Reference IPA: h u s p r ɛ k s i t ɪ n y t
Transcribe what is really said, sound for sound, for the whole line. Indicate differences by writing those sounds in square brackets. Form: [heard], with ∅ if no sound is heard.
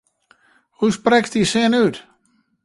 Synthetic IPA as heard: h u s p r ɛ k [t] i [s] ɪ n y t